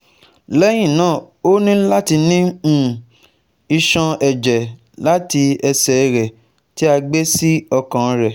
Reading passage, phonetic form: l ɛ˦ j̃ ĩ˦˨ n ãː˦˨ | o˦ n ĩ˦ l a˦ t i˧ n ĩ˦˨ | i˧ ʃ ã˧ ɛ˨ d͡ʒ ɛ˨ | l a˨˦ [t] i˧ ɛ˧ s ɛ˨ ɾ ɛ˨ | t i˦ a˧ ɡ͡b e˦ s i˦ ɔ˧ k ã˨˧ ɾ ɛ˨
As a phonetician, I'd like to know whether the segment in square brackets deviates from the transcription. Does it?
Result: no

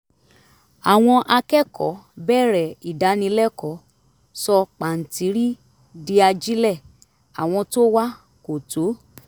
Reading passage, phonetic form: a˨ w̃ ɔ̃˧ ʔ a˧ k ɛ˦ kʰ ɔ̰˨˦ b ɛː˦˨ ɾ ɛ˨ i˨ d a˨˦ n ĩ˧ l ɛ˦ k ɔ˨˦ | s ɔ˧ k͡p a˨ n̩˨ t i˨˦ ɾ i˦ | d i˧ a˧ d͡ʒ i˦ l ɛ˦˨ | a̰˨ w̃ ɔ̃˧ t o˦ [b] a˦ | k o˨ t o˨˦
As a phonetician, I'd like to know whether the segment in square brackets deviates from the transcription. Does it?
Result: yes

